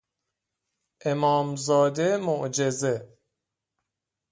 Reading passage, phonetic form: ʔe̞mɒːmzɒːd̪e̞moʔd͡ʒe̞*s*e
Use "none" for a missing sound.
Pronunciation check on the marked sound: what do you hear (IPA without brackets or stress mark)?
z